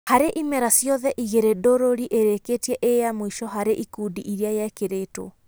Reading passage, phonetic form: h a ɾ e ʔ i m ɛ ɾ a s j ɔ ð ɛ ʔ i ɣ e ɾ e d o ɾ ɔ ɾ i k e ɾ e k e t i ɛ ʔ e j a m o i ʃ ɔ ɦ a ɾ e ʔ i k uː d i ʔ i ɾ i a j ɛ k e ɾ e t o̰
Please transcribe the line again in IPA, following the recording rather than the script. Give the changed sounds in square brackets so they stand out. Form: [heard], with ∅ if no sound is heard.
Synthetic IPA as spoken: h a ɾ e ʔ i m ɛ ɾ a s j ɔ ð ɛ ʔ i ɣ e ɾ e d o ɾ [o] ɾ i [ʔ] e ɾ e k e t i ɛ ʔ e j a m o i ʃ ɔ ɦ a ɾ e ʔ i k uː d i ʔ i ɾ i a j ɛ k e ɾ e t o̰